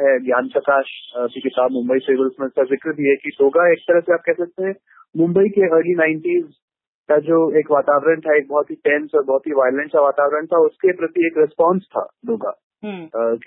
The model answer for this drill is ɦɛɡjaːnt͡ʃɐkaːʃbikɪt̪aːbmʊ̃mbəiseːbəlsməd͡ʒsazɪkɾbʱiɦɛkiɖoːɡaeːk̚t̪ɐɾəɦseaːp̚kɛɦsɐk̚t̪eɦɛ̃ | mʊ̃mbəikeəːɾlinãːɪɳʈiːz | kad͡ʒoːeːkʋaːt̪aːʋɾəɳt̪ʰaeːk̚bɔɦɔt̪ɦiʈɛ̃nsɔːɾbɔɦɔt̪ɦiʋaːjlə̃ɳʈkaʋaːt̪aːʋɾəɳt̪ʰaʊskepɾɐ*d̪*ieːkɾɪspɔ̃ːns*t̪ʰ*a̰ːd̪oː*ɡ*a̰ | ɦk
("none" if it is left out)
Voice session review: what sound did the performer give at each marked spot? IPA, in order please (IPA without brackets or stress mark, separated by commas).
t̪, t̪ʰ, ɡ